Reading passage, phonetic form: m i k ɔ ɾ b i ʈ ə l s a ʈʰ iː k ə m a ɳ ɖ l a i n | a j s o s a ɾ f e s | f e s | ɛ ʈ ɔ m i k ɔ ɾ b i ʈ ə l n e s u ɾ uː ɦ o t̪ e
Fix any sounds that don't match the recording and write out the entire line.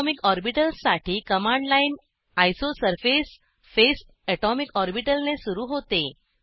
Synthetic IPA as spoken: m i k ɔ ɾ b i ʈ ə l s a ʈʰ iː k ə m a ɳ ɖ l a i n | a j s o s ə ɾ f e s | f e s | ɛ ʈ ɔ m i k ɔ ɾ b i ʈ ə l n e s u ɾ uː ɦ o t̪ e

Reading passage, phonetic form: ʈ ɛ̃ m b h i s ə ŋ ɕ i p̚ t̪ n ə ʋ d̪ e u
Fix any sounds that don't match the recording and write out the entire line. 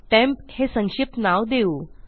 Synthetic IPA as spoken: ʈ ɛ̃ m p h e s ə ŋ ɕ i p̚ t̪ n a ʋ d̪ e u

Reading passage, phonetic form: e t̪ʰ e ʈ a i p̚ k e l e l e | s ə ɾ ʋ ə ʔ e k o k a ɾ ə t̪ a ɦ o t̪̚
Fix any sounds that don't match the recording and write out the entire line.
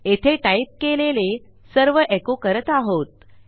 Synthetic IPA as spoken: e t̪ʰ e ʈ a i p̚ k e l e l e | s ə ɾ ʋ ə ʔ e k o k ə ɾ ə t̪ a ɦ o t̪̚

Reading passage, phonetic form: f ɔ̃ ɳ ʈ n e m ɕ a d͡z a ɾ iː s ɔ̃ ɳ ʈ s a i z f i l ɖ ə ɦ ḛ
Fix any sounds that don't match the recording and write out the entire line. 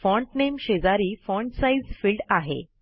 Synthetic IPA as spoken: f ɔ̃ ɳ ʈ n e m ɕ e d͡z a ɾ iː f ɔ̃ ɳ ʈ s a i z f i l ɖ a ɦ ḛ

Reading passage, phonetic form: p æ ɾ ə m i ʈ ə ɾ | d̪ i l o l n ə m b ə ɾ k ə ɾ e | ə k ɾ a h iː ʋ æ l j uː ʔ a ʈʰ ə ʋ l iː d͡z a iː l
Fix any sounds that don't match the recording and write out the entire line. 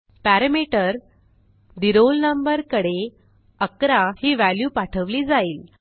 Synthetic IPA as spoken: p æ ɾ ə m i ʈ ə ɾ | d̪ i ɾ o l n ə m b ə ɾ k ə ɽ e | ə k ɾ a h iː ʋ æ l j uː p a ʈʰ ə ʋ l iː d͡z a iː l

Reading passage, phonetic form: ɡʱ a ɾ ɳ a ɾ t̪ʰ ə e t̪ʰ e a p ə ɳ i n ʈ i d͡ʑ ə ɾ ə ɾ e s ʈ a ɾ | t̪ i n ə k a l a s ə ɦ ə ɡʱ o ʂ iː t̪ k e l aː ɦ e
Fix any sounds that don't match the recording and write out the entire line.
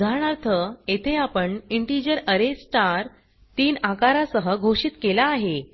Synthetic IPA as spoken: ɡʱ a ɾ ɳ a ɾ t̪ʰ ə e t̪ʰ e a p ə ɳ i ɳ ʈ i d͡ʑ ə ɾ ə ɾ e s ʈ a ɾ | t̪ iː n a k a ɾ a s ə ɦ ə ɡʱ o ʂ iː t̪ k e l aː ɦ e

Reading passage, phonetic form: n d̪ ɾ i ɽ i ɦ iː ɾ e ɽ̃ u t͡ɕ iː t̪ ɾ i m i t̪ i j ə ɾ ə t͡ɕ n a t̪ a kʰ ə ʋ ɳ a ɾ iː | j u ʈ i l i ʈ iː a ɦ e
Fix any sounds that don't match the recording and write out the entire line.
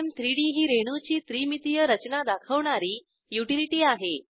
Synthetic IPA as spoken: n t̪ ɾ i ɽ i ɦ iː ɾ e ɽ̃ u t͡ɕ iː t̪ ɾ i m i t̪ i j ə ɾ ə t͡ɕ n a d̪ a kʰ ə ʋ ɳ a ɾ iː | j u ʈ i l i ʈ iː a ɦ e

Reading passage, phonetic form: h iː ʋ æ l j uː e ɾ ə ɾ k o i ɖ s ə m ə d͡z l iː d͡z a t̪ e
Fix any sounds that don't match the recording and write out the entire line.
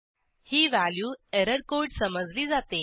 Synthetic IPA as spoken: h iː ʋ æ l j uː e ɾ ə ɾ k o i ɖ s ə m ə d͡z l iː d͡z a t̪ e

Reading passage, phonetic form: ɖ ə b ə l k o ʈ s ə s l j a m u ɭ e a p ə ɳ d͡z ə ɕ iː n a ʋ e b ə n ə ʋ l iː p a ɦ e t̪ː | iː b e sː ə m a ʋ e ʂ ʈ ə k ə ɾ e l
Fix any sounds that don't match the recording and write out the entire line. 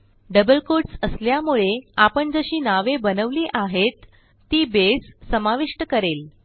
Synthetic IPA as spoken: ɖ ə b ə l k o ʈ s ə s l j a m u ɭ e a p ə ɳ d͡z ə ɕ iː n a ʋ e b ə n ə ʋ l iː ʔ a ɦ e t̪ː | iː b e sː ə m a ʋ i ʂ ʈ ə k ə ɾ e l

